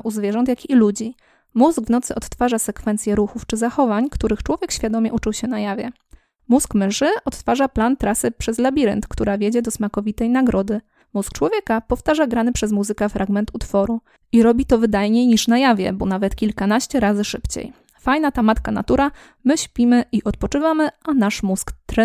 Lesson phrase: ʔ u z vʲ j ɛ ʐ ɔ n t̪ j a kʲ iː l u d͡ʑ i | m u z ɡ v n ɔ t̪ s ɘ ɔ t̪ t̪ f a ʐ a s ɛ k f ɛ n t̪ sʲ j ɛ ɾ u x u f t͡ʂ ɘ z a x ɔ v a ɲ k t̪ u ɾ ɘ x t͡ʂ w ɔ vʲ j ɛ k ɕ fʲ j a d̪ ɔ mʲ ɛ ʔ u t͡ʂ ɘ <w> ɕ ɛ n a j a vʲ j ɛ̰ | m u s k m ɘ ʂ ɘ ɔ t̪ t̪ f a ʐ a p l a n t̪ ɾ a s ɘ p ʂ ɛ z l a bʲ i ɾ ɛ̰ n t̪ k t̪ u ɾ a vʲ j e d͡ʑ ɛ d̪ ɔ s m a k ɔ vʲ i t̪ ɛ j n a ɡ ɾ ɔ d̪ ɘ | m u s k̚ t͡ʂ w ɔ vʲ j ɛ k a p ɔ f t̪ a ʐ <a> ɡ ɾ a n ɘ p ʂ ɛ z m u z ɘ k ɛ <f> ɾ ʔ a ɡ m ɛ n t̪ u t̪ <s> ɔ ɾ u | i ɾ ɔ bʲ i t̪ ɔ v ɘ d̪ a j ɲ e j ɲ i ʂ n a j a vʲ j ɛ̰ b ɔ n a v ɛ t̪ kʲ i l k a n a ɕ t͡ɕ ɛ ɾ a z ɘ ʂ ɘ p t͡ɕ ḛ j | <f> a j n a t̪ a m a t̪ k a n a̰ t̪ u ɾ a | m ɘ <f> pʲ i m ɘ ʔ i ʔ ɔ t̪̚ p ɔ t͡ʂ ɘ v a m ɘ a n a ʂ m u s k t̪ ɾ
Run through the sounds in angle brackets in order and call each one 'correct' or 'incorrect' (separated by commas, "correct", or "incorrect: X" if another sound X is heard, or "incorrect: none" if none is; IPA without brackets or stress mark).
correct, correct, correct, incorrect: f, correct, incorrect: ɕ